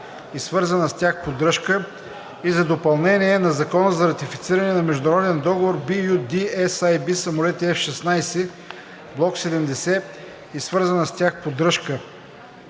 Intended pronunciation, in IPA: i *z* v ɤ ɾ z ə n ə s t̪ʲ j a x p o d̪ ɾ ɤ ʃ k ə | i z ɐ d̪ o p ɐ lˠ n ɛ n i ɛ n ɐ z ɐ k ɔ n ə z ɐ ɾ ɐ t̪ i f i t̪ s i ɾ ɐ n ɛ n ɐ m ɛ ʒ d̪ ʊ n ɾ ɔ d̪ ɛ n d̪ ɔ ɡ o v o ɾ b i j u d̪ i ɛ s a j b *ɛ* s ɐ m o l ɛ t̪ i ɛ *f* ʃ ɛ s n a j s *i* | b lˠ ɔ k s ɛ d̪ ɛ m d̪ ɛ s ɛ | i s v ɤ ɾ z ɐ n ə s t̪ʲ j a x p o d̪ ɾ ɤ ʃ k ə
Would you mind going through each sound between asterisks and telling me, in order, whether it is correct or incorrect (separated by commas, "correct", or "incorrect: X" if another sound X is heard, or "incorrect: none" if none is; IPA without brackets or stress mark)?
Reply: incorrect: s, incorrect: i, correct, incorrect: ɛ